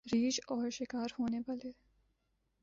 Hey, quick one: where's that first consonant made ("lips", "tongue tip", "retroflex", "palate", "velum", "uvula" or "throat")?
tongue tip